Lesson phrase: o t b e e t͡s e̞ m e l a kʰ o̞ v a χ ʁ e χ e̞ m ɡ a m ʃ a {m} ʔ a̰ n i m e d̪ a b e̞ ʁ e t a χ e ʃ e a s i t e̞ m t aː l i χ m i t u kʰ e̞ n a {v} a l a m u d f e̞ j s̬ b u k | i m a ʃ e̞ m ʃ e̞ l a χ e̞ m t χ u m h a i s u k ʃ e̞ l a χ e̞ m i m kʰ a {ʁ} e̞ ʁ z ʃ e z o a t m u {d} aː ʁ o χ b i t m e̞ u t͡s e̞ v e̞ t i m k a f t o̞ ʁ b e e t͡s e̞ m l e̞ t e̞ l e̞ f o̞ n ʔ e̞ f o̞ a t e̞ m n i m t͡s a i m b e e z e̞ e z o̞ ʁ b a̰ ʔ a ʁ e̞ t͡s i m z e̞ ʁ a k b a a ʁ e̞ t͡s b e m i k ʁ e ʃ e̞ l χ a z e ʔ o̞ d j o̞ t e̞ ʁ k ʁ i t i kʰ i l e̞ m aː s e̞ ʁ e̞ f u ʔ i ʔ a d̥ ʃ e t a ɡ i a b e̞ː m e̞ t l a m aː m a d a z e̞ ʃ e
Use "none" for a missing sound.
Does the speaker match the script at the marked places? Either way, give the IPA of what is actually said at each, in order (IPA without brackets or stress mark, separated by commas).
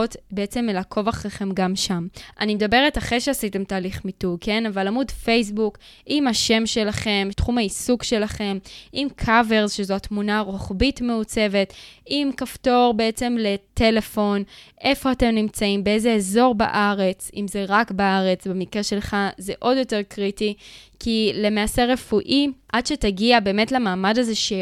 m, v, v, n